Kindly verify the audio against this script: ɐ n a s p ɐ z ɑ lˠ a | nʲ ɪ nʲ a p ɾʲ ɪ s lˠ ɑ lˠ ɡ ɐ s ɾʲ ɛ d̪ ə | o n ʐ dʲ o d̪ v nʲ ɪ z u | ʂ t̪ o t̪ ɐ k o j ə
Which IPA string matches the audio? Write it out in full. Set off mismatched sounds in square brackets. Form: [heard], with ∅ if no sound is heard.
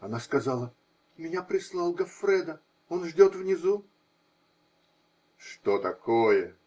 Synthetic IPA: ɐ n a s [k] ɐ z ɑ lˠ [ə] | [mʲ] ɪ nʲ a p ɾʲ ɪ s lˠ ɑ lˠ ɡ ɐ [f] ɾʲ ɛ d̪ ə | o n ʐ dʲ o [t̪] v nʲ ɪ z u | ʂ t̪ o t̪ ɐ k o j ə